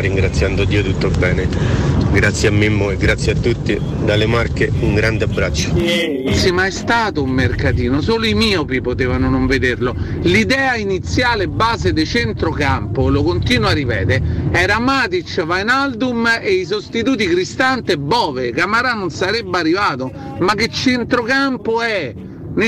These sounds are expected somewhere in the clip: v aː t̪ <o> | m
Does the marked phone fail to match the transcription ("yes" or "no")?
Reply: no